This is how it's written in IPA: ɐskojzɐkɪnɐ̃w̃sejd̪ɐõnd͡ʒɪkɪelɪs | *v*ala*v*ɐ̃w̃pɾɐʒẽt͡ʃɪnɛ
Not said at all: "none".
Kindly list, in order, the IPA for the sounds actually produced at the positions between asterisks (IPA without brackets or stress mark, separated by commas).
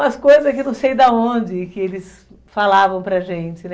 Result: f, v